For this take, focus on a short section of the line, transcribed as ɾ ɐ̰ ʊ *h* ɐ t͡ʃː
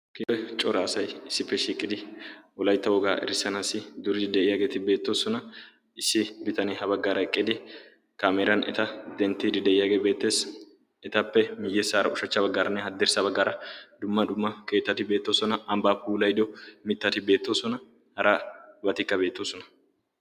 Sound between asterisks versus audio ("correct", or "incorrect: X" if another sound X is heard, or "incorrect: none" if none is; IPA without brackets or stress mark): incorrect: ʃ